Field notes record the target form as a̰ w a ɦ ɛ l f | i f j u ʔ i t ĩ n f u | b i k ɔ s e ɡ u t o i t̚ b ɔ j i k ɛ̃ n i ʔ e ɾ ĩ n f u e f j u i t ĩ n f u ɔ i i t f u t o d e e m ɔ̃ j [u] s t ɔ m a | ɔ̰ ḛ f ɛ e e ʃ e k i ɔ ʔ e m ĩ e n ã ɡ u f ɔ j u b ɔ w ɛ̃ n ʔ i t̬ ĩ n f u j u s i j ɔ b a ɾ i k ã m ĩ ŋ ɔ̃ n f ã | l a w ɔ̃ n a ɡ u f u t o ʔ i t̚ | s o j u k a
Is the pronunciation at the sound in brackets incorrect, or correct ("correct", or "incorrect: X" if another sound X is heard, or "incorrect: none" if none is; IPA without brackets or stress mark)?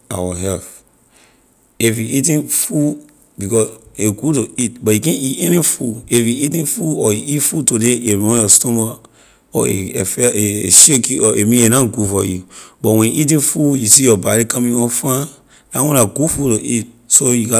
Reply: incorrect: ɔ